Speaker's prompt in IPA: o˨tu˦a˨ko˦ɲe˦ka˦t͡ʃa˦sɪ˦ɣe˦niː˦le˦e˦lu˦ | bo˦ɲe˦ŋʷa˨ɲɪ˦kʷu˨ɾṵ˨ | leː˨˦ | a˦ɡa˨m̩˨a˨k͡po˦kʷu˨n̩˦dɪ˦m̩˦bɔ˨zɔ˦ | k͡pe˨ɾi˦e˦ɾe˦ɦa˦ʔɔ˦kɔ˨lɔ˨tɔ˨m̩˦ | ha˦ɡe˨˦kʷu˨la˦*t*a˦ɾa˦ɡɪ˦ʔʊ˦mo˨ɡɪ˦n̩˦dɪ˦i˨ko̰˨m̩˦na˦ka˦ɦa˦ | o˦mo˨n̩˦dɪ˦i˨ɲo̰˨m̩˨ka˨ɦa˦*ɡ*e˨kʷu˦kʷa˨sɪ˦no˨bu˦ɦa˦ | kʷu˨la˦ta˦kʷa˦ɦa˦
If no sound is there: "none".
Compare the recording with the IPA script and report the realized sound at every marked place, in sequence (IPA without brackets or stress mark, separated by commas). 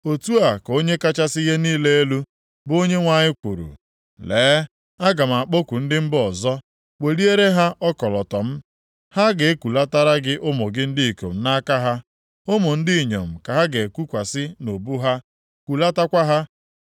t, ɡ